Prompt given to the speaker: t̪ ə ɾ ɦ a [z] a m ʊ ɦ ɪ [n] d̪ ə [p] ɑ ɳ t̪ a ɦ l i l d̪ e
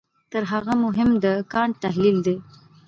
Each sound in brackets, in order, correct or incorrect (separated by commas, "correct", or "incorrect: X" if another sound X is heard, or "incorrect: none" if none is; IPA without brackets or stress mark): incorrect: ɣ, incorrect: m, incorrect: k